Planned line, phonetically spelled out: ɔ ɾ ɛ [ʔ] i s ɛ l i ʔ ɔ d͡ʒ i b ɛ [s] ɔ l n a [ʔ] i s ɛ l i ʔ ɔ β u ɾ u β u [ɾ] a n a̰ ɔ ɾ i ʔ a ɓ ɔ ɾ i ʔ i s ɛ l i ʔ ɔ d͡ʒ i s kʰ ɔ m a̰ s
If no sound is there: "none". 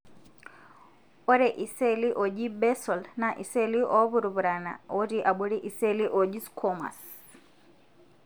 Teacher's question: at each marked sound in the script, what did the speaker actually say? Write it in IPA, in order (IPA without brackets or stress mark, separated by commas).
ʔ, s, ʔ, ɾ